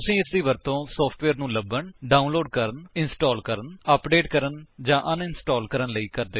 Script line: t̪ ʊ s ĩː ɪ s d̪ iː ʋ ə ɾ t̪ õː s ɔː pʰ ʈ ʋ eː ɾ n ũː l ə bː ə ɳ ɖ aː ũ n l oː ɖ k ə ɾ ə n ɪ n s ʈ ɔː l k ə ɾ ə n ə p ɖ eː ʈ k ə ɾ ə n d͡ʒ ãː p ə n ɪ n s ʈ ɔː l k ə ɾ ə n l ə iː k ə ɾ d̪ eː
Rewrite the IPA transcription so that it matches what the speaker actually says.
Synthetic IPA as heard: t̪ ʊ s ĩː ɪ s d̪ iː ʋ ə ɾ t̪ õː s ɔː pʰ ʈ ʋ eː ɾ n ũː l ə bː ə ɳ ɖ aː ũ n l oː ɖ k ə ɾ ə n ɪ n s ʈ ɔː l k ə ɾ ə n ə p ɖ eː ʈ k ə ɾ ə n d͡ʒ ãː ʔ ə n ɪ n s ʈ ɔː l k ə ɾ ə n l ə iː k ə ɾ d̪ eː